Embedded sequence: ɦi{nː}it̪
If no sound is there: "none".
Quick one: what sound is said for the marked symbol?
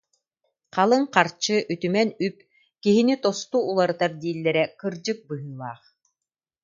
n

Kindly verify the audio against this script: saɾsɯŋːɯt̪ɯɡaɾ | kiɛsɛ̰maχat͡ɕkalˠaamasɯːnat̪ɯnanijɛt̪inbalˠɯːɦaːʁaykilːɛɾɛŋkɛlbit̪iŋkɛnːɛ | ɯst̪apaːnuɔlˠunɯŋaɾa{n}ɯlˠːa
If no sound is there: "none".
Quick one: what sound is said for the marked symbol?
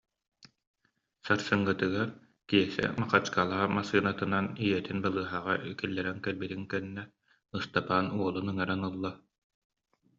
n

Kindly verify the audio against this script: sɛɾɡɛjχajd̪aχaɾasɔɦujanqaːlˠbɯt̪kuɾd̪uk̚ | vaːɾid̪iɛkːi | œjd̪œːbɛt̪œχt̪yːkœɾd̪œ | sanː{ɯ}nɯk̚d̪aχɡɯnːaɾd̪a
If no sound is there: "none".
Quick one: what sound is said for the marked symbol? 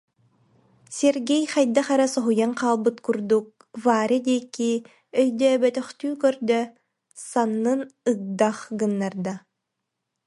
ɯ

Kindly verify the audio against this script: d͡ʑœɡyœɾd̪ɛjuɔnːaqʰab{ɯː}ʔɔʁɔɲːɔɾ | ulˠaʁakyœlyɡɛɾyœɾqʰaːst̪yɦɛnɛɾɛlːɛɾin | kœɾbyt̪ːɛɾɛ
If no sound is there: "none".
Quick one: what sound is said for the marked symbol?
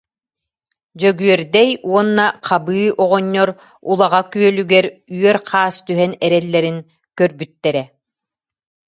ɯː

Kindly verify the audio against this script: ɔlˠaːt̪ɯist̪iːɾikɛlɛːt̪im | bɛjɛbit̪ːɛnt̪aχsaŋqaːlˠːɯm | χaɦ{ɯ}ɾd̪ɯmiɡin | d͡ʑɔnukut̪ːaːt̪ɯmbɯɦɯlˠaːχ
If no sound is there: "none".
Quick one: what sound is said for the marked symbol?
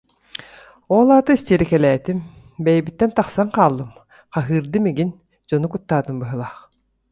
ɯː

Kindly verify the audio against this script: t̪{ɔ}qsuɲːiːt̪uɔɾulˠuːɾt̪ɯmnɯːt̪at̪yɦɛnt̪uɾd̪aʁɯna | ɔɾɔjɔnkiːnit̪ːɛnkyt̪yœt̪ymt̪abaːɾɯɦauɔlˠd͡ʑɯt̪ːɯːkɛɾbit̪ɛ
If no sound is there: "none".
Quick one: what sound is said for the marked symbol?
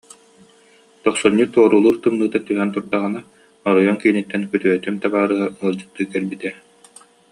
ɔ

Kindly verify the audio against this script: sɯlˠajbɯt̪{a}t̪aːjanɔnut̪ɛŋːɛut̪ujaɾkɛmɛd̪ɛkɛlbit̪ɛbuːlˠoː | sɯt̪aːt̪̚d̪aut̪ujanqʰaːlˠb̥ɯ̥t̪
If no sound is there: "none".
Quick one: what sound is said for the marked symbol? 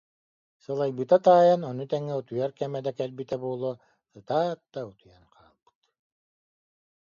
a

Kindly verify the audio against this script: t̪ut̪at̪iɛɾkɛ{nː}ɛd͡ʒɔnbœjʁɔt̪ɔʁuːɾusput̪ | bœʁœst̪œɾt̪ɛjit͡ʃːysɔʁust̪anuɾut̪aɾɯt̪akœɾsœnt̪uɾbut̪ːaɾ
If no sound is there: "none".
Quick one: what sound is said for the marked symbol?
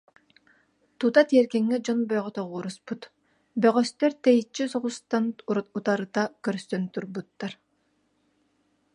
ŋː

